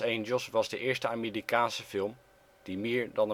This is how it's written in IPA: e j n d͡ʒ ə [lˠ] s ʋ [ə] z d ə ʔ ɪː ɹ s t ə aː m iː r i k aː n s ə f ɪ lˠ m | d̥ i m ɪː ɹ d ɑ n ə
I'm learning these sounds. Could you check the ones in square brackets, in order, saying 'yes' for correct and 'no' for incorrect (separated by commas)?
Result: yes, no